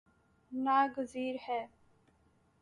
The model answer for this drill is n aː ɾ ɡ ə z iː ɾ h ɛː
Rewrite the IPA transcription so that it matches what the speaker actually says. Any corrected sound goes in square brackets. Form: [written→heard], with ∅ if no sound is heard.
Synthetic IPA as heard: n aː [ɾ→∅] ɡ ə z iː ɾ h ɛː